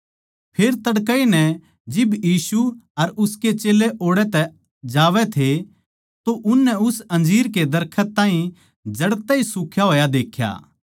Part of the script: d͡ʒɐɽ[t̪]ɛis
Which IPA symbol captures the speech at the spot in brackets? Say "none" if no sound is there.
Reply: t̪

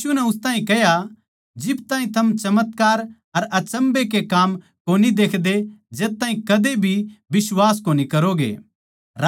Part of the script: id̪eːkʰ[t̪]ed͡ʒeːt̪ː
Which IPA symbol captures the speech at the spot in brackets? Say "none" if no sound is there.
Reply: d̪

